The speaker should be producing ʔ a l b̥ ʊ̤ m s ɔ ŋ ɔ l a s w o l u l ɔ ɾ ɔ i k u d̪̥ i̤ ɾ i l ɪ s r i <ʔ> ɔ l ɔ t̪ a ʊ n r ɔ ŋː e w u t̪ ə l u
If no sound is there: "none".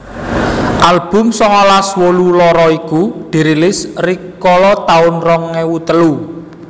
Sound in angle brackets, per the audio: k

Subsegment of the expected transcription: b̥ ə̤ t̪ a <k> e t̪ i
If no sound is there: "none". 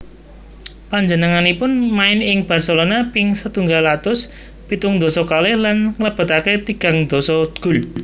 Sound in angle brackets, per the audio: k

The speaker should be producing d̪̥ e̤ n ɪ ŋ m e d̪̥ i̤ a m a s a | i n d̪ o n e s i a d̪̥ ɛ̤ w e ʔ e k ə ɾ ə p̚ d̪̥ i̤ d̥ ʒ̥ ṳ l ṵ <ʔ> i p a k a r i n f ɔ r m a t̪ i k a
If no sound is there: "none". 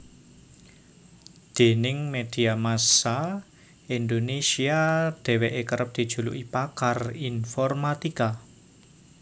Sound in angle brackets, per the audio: ʔ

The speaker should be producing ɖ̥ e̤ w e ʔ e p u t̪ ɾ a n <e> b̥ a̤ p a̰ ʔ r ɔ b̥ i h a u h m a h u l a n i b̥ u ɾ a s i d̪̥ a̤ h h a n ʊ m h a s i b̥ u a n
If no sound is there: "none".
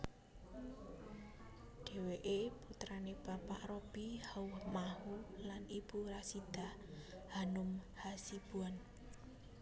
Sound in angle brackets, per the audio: e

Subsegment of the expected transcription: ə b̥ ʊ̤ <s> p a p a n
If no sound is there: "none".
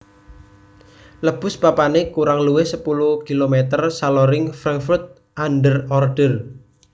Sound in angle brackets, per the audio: s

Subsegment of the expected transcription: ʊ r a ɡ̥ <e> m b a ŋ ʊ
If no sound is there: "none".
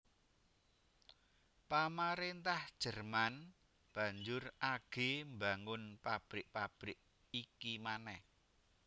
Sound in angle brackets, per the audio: e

